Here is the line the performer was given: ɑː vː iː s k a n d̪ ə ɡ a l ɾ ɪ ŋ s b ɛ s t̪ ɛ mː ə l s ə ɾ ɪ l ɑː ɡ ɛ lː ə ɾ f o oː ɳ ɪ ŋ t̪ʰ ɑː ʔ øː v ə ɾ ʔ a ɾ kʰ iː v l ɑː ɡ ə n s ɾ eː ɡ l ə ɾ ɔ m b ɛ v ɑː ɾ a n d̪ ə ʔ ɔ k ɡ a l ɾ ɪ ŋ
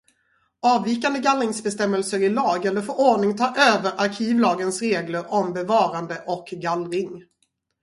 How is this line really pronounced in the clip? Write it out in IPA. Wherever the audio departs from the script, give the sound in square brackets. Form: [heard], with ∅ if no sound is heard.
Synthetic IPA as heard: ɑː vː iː [∅] k a n d̪ ə ɡ a l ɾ ɪ ŋ s b ɛ s t̪ ɛ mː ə l s ə ɾ ɪ l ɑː ɡ ɛ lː ə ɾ f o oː ɳ ɪ ŋ t̪ʰ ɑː ʔ øː v ə ɾ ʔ a ɾ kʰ iː v l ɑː ɡ ə n s ɾ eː ɡ l ə ɾ ɔ m b ɛ v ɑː ɾ a n d̪ ə ʔ ɔ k ɡ a l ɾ ɪ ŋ

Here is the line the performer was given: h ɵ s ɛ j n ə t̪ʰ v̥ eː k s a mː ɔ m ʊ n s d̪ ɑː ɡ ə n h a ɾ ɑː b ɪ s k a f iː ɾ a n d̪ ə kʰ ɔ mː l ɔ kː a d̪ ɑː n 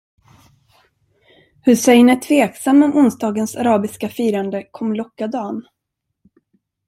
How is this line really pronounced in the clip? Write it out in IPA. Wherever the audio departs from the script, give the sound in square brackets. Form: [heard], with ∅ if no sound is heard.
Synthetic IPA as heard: h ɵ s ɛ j n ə t̪ʰ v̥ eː k s a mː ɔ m ʊ n s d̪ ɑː ɡ ə n [s] a ɾ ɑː b ɪ s k a f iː ɾ a n d̪ ə kʰ ɔ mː l ɔ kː a d̪ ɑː n

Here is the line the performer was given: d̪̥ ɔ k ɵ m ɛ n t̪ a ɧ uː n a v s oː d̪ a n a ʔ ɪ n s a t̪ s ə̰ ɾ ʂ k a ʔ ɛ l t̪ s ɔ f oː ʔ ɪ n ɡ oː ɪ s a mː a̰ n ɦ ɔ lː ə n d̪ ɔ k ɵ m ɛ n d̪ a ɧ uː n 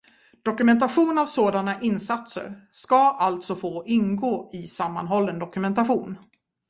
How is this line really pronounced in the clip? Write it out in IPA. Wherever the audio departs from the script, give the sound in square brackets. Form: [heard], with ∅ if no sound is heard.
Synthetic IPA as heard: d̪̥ ɔ k ɵ m ɛ n t̪ a ɧ uː n a v s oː d̪ a n a ʔ ɪ n s a t̪ s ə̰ ɾ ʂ k a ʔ [a] l t̪ s ɔ f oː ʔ ɪ n ɡ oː ɪ s a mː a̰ n ɦ ɔ lː ə n d̪ ɔ k ɵ m ɛ n [t̪] a ɧ uː n

